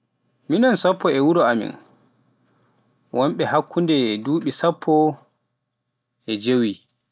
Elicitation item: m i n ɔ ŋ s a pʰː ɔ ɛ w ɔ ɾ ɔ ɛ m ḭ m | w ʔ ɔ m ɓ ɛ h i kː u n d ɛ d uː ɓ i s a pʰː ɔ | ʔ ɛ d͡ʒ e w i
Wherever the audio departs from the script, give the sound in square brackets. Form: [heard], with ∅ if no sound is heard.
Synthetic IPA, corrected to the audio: m i n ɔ [n] s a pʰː ɔ ɛ w [u] ɾ ɔ [a] m ḭ [n] | w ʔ ɔ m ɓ ɛ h [a] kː u n d ɛ d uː ɓ i s a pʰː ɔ | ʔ ɛ d͡ʒ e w i